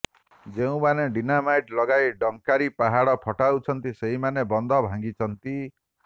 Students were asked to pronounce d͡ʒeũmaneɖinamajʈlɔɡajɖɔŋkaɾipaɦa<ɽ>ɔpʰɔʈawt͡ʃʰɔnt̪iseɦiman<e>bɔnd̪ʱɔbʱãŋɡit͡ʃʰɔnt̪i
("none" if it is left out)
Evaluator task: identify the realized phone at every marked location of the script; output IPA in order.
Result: ɽ, e

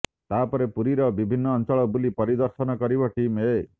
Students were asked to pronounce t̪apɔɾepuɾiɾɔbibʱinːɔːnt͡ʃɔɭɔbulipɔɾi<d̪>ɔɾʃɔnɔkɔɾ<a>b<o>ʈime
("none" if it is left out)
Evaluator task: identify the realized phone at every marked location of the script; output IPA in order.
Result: d̪, i, ɔ

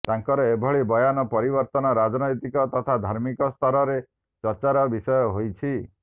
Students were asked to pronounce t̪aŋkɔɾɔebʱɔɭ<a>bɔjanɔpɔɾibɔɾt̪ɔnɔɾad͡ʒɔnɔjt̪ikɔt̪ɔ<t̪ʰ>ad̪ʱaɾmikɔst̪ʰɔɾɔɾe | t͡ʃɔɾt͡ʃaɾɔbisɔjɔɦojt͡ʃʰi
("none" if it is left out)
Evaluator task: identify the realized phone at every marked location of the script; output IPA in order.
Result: i, t̪ʰ

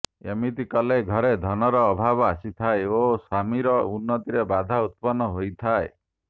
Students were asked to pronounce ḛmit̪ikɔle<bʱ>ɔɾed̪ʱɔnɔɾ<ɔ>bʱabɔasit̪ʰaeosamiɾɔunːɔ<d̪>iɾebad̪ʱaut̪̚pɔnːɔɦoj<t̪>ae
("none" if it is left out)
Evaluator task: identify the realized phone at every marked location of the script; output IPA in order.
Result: ɡʱ, ɔː, t̪, t̪ʰ

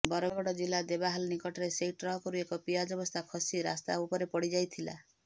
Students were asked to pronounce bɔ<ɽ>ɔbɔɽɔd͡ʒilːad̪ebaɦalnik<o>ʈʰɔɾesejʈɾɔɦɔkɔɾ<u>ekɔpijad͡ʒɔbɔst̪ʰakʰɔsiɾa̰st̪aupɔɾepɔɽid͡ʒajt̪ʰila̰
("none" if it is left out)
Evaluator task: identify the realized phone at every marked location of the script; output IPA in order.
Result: ɾ, ɔ, u

